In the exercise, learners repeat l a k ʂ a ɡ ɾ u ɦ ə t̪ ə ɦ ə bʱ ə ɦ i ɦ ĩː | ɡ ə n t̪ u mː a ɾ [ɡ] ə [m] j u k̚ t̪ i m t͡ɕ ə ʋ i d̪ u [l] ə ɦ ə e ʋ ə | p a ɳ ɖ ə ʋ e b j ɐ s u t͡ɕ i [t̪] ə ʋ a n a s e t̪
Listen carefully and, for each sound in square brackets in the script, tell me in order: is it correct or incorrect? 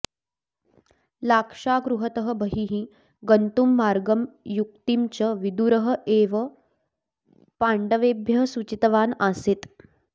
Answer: correct, correct, incorrect, correct

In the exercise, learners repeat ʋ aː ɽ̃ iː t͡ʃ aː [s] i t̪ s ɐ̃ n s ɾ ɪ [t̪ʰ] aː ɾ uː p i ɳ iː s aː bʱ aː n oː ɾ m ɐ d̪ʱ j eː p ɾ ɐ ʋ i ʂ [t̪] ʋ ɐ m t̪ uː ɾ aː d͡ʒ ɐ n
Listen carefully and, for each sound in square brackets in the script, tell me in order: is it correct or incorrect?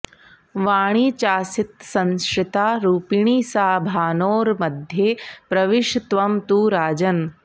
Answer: correct, incorrect, correct

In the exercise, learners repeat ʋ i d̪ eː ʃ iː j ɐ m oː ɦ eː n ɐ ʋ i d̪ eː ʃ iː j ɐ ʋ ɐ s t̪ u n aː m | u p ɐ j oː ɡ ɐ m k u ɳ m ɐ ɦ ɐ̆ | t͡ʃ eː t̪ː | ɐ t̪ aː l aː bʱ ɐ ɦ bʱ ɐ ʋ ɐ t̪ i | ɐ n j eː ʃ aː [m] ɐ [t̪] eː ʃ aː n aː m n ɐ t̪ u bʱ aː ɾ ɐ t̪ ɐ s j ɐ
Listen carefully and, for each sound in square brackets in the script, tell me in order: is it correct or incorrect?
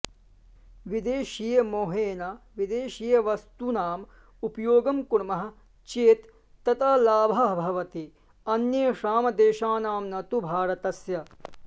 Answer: correct, incorrect

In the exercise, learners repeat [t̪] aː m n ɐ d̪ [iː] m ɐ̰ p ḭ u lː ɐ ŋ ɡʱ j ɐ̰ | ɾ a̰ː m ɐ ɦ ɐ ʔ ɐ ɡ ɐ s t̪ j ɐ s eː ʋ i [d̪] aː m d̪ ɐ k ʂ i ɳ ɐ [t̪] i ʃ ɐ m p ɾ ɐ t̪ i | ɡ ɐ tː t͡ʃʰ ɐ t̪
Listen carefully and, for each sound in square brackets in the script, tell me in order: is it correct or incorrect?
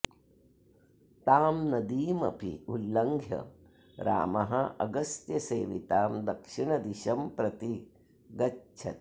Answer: correct, correct, incorrect, incorrect

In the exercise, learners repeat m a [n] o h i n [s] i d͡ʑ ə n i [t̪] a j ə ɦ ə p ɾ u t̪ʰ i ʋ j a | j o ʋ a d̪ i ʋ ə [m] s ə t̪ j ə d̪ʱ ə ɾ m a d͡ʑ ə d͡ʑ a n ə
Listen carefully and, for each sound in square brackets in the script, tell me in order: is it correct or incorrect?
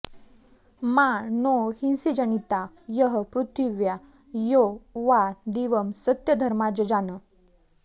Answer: correct, correct, correct, correct

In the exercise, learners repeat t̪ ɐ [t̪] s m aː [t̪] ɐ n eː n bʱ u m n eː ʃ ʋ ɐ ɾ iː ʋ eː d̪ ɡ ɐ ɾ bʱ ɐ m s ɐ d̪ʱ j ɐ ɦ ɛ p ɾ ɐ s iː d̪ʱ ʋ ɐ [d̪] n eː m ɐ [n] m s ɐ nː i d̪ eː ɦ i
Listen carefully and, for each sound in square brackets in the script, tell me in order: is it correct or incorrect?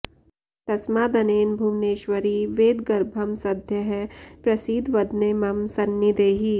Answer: incorrect, incorrect, correct, incorrect

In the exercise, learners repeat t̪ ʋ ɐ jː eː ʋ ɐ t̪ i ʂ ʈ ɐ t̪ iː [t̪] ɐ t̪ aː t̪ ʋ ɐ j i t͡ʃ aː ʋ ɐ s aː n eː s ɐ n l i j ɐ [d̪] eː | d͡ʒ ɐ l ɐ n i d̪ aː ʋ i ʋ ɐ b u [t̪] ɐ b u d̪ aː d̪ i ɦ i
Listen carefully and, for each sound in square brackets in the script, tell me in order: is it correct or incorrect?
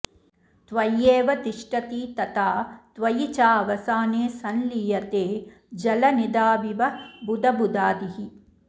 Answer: correct, incorrect, incorrect

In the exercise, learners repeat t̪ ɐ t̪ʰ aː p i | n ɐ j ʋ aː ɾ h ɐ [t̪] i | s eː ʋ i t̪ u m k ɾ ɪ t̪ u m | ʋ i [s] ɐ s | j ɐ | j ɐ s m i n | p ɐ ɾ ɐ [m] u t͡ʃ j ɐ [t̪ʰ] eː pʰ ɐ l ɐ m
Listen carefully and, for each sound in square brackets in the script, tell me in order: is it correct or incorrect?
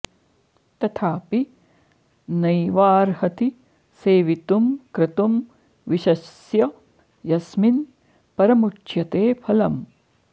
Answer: correct, incorrect, correct, incorrect

